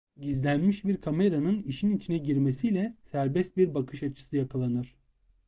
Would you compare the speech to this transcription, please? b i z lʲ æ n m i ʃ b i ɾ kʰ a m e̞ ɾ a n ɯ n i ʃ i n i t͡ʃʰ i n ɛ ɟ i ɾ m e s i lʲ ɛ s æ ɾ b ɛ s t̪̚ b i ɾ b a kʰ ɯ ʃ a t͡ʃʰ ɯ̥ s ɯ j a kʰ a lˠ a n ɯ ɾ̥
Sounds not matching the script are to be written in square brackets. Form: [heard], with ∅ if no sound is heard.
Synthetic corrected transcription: [ɟ] i z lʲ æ n m i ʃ b i ɾ kʰ a m e̞ ɾ a n ɯ n i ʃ i n i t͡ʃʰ i n ɛ ɟ i ɾ m e s i lʲ ɛ s æ ɾ b ɛ s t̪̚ b i ɾ b a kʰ ɯ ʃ a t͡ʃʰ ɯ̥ s ɯ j a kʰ a lˠ a n ɯ ɾ̥